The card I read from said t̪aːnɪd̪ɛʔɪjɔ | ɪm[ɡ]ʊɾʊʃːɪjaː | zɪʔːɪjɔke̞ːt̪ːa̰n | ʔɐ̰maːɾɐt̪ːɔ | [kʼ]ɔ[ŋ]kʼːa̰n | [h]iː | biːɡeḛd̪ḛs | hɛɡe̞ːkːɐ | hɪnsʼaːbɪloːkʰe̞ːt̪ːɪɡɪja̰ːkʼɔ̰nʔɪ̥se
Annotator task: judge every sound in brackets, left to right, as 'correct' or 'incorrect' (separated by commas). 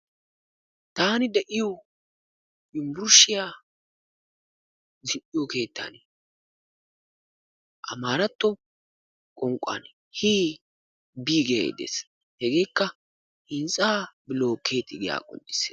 incorrect, correct, correct, correct